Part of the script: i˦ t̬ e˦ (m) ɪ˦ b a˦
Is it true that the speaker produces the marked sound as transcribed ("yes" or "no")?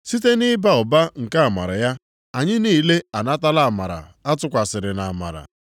no